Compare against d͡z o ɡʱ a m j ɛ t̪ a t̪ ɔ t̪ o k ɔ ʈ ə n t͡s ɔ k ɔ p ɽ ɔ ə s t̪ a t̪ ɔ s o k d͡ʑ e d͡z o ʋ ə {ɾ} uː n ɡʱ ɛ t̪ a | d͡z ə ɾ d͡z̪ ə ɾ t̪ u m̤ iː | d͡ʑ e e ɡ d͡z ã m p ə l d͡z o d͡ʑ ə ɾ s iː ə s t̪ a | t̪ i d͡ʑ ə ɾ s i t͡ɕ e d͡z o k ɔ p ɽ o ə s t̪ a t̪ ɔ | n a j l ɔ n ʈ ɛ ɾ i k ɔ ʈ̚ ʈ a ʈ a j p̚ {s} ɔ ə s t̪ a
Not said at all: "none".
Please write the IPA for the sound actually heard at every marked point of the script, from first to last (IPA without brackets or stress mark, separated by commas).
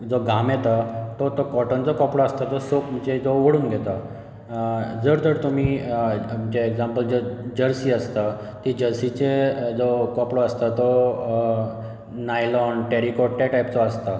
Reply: ɽ, t͡s